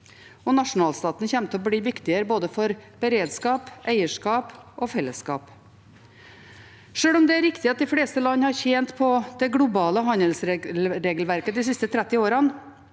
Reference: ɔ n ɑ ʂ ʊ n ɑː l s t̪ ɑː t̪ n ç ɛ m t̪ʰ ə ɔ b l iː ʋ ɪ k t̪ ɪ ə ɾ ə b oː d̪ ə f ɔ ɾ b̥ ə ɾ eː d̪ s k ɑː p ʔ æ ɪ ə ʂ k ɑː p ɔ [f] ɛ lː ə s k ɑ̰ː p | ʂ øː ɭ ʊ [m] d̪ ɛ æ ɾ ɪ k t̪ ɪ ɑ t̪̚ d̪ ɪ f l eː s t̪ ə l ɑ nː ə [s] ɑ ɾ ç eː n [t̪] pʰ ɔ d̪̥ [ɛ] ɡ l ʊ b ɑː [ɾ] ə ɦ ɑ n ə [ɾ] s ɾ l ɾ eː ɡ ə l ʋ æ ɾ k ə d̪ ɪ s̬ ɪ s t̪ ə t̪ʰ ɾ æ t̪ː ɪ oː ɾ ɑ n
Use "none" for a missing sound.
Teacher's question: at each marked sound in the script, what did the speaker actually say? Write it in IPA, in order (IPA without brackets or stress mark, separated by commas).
f, m, h, t̪, ɛ, l, l